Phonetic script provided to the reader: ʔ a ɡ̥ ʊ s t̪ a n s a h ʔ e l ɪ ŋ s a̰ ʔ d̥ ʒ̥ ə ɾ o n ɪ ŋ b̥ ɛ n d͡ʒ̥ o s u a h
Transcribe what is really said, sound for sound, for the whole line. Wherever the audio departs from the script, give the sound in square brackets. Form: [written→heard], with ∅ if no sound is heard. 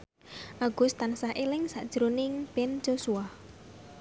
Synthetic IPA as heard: ʔ a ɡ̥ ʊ s t̪ a n s a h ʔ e l ɪ ŋ s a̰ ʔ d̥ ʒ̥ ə ɾ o n ɪ ŋ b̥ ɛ n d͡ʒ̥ o s u a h